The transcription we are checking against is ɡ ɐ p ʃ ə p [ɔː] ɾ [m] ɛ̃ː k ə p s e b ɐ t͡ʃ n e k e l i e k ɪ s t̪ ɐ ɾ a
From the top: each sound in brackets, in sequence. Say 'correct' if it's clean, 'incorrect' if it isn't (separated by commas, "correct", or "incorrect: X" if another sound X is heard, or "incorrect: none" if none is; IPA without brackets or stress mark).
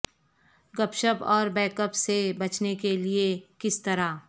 correct, incorrect: b